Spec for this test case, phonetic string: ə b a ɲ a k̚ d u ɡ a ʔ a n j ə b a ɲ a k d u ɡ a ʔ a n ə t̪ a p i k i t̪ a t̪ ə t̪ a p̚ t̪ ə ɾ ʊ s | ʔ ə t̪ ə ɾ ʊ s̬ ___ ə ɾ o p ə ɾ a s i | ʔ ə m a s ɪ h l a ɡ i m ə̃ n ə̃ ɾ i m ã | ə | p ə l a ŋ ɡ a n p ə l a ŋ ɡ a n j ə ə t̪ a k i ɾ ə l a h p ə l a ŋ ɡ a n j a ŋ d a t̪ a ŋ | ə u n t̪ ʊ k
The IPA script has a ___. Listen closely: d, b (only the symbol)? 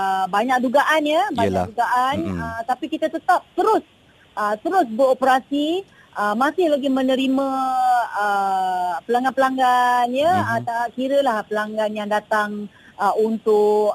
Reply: b